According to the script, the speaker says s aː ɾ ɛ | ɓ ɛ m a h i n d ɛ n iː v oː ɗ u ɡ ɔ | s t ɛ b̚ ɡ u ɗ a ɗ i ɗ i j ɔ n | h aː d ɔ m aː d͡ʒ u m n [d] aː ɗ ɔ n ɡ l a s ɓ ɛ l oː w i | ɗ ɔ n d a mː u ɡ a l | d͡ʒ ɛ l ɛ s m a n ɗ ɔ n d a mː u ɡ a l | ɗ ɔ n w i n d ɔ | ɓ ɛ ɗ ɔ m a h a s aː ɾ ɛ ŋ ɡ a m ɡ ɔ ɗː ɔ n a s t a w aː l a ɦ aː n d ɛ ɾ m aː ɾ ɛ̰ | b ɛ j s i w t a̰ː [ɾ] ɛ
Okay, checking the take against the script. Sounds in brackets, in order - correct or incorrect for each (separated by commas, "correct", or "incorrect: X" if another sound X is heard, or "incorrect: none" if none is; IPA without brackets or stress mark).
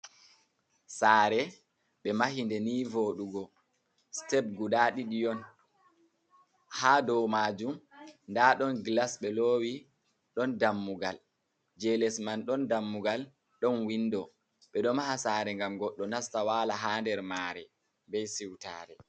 correct, correct